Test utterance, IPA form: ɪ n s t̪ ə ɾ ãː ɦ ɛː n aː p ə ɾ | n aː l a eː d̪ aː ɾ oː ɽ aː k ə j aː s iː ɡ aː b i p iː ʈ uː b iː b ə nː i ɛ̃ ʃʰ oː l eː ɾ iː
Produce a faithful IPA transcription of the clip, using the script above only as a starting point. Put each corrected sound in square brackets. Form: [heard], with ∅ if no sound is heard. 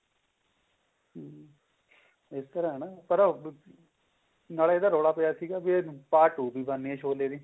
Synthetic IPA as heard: ɪ [∅] s t̪ ə ɾ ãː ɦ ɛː n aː p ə ɾ | n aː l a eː d̪ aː ɾ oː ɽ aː [p] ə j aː s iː ɡ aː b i p [aː] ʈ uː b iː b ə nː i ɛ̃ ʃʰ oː l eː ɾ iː